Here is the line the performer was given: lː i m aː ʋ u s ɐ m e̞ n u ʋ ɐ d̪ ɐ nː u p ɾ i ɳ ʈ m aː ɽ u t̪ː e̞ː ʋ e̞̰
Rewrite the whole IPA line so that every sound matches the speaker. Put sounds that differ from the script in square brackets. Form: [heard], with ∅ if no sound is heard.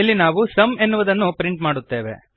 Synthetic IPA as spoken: lː i [n] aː ʋ u s ɐ m e̞ [nː] u ʋ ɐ d̪ ɐ nː u p ɾ i ɳ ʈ m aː ɽ u t̪ː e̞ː ʋ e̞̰